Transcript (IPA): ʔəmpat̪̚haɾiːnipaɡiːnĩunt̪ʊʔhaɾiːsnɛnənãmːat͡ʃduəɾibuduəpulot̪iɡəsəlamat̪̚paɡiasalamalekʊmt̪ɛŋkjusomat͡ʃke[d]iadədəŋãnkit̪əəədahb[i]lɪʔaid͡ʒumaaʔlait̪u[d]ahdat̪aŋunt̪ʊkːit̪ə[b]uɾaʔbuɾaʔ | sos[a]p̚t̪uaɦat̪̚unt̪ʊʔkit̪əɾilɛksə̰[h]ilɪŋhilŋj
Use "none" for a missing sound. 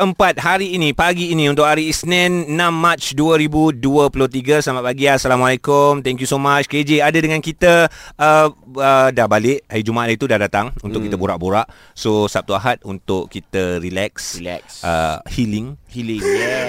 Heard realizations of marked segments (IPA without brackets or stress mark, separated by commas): d͡ʒ, a, d, b, a, h